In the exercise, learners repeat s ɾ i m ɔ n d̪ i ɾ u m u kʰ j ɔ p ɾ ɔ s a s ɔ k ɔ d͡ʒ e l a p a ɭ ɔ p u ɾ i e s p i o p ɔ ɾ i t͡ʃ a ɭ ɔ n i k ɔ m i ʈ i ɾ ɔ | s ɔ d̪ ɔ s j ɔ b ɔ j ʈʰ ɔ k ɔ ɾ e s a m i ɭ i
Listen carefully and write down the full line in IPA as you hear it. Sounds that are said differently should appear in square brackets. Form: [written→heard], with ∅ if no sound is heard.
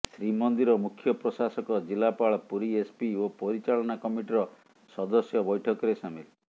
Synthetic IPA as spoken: s ɾ i m ɔ n d̪ i ɾ [u→ɔ] m u kʰ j ɔ p ɾ ɔ s a s ɔ k ɔ d͡ʒ [e→i] l a p a ɭ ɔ p u ɾ i e s p i o p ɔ ɾ i t͡ʃ a ɭ ɔ n [i→a] k ɔ m i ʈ i ɾ ɔ | s ɔ d̪ ɔ s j ɔ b ɔ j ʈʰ ɔ k ɔ ɾ e s a m i [ɭ→l] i

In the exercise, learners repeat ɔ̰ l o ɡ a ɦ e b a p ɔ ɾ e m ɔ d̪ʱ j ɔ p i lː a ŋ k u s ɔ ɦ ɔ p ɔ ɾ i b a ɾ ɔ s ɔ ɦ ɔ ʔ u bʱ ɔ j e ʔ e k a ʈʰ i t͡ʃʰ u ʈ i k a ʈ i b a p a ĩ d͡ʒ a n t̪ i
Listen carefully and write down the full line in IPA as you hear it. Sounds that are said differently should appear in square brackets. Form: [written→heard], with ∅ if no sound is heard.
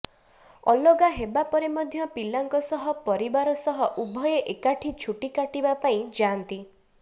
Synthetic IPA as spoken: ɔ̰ l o ɡ a ɦ e b a p ɔ ɾ e m ɔ d̪ʱ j ɔ p i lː a ŋ k [u→ɔ] s ɔ ɦ ɔ p ɔ ɾ i b a ɾ ɔ s ɔ ɦ ɔ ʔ u bʱ ɔ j e ʔ e k a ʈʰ i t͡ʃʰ u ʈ i k a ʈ i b a p a ĩ d͡ʒ a n t̪ i

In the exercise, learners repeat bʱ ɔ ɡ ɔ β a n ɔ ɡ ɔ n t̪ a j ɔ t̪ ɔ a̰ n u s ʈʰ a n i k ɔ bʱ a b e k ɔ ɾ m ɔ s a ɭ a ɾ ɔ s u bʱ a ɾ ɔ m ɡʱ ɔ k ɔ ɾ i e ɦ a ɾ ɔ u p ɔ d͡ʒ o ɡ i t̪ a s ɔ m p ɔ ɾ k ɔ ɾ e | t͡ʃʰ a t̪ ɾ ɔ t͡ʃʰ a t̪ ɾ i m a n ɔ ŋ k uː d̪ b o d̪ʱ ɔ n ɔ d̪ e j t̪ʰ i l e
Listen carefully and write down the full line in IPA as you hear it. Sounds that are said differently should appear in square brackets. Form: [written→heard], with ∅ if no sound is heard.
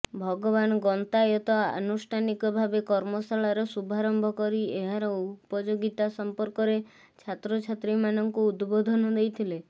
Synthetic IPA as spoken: bʱ ɔ ɡ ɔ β a n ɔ ɡ ɔ n t̪ a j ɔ t̪ ɔ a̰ n u s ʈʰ a n i k ɔ bʱ a b e k ɔ ɾ m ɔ s a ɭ a ɾ ɔ s u bʱ a ɾ ɔ m [ɡʱ→bʱ] ɔ k ɔ ɾ i e ɦ a ɾ ɔ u p ɔ d͡ʒ o ɡ i t̪ a s ɔ m p ɔ ɾ k ɔ ɾ e | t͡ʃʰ a t̪ ɾ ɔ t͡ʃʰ a t̪ ɾ i m a n ɔ ŋ k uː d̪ b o d̪ʱ ɔ n ɔ d̪ e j t̪ʰ i l e

